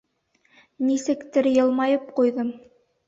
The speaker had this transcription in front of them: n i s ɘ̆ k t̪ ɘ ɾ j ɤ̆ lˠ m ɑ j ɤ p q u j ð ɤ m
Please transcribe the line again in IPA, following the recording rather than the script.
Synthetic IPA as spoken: n i s ɘ̆ k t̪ ɘ ɾ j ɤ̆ lˠ m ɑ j ɤ p q u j ð ɤ m